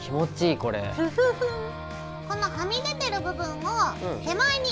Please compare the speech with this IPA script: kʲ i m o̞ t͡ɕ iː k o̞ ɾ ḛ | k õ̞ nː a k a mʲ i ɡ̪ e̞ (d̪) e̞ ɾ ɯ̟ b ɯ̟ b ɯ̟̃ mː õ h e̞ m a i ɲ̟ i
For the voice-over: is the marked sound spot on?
no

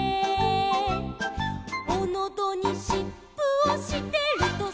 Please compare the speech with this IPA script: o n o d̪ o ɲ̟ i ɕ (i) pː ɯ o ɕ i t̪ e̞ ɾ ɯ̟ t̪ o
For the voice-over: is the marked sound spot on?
yes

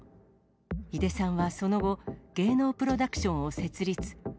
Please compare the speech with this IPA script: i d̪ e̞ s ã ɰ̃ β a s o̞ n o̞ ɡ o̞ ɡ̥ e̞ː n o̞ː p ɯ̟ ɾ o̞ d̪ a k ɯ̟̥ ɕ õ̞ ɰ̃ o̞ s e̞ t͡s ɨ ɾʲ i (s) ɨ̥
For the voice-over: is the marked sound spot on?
no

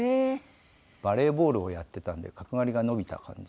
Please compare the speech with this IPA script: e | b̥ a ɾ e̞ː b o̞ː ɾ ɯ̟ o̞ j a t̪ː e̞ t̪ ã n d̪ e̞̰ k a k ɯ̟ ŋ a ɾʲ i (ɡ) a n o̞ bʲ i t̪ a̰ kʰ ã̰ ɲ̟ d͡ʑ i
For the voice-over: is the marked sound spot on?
yes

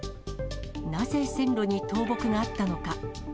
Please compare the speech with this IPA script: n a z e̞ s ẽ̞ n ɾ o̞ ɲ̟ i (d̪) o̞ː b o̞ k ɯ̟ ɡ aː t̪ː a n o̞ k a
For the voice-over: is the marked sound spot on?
no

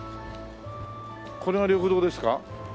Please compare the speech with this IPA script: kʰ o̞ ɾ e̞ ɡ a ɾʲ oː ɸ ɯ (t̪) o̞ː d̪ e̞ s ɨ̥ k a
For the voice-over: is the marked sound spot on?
no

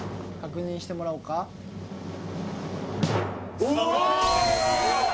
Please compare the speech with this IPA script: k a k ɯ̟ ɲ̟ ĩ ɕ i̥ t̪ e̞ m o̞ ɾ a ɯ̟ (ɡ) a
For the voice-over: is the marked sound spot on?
no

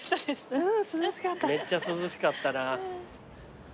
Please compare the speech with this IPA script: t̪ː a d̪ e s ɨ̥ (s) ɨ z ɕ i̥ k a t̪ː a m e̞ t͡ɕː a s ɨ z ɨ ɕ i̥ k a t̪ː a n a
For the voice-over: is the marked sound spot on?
yes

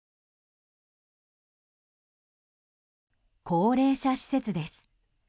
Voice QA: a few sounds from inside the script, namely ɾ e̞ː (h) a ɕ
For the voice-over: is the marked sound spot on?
no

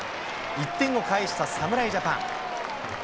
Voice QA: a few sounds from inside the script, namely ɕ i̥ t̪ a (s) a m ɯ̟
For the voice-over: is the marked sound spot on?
yes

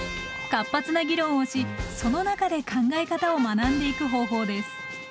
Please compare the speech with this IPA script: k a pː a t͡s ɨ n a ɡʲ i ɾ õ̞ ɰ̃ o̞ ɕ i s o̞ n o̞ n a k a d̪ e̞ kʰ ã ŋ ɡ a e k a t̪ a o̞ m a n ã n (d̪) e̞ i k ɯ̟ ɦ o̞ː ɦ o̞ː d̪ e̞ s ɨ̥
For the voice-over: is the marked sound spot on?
yes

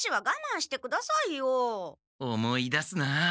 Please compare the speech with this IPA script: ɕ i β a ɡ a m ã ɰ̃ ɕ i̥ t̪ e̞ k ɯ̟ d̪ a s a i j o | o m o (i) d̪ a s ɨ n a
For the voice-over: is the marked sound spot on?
yes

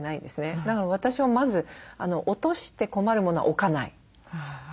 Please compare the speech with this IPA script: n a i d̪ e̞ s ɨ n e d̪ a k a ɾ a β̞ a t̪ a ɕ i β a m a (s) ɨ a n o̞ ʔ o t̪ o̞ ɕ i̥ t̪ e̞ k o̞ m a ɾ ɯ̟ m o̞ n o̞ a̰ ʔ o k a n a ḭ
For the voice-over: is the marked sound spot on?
no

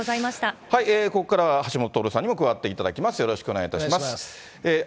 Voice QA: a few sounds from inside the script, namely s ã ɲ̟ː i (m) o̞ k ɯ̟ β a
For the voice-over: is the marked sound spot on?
yes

